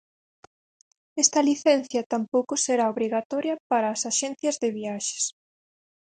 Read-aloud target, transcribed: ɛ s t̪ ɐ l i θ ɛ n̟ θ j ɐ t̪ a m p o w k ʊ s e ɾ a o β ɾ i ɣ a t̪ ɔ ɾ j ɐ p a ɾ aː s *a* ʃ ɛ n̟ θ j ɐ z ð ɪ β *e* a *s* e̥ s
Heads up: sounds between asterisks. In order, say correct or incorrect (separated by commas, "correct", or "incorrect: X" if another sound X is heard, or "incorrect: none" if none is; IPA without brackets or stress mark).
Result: correct, incorrect: i, incorrect: ʃ